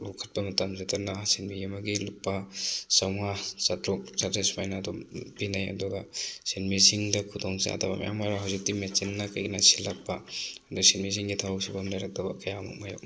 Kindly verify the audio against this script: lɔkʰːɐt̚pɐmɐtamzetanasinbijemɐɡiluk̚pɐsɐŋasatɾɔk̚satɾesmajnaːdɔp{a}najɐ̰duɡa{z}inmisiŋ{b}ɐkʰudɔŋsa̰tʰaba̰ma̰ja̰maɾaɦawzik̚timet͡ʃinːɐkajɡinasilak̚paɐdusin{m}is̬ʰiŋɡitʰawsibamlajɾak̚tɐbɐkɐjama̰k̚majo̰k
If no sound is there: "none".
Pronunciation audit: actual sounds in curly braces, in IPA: i, s, d, m

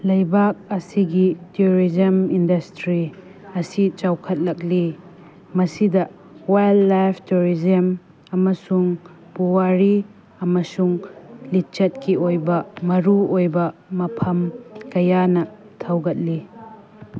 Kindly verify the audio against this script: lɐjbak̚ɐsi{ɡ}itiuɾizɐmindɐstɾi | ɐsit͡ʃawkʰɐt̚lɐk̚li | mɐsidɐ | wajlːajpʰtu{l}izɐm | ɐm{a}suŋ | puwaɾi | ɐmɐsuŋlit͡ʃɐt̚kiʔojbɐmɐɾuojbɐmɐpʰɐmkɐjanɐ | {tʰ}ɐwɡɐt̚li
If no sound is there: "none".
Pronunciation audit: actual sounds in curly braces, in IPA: ɡ, ɾ, ɐ, tʰ

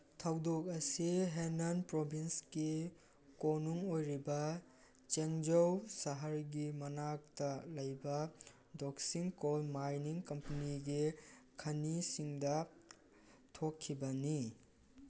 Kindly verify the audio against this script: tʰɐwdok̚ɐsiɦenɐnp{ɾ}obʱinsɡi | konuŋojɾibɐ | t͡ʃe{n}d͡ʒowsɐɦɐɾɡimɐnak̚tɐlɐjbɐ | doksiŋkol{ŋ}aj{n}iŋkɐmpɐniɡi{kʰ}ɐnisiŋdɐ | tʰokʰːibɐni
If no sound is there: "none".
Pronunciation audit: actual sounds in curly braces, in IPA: ɾ, ŋ, m, n, kʰ

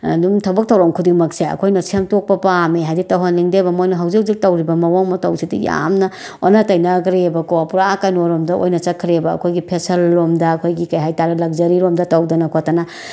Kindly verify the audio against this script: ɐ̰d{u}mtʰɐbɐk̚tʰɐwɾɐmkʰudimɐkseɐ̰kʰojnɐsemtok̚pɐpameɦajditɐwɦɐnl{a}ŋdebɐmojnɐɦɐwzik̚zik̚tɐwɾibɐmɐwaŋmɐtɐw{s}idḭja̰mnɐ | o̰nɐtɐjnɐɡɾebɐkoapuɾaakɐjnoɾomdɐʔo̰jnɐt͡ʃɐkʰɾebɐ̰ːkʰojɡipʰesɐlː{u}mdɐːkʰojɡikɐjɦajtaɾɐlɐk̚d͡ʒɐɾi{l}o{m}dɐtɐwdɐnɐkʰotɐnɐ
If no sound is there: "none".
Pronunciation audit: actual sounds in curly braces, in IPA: u, i, s, o, ɾ, m

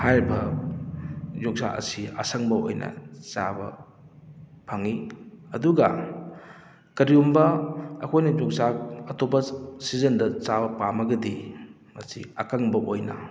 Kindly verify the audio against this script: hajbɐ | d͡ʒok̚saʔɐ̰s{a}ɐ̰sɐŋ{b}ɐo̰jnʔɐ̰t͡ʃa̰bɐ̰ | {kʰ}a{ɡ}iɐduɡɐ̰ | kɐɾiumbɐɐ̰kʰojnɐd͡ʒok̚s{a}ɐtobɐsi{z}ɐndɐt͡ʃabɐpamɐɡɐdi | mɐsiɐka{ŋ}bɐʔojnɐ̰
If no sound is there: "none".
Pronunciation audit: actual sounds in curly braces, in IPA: i, b, pʰ, ŋ, a, z, ŋ

